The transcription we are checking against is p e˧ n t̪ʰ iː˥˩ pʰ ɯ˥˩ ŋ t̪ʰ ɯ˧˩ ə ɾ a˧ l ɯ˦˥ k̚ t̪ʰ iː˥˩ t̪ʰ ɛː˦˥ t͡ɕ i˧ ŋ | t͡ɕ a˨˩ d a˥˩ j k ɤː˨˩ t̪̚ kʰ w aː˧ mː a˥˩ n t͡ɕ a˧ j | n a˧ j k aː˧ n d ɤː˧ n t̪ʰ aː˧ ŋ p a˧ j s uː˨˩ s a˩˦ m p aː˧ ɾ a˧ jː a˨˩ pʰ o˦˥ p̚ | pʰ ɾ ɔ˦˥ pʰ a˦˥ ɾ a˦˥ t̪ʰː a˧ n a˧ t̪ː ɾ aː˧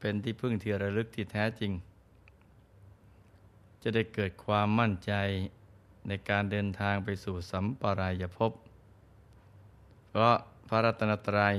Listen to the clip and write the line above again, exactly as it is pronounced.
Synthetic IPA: p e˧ n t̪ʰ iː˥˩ pʰ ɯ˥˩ ŋ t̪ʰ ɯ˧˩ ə ɾ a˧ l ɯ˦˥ k̚ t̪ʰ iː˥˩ t̪ʰ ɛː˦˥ t͡ɕ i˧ ŋ | t͡ɕ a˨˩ d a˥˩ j k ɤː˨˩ t̪̚ kʰ w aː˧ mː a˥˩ n t͡ɕ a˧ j | n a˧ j k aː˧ n d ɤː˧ n t̪ʰ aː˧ ŋ p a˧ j s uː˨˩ s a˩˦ m p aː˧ ɾ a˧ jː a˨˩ pʰ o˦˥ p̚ | pʰ ɾ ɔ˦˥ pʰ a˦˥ ɾ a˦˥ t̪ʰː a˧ n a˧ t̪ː ɾ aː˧